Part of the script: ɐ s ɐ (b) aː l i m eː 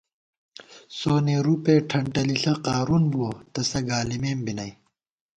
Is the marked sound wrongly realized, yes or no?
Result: yes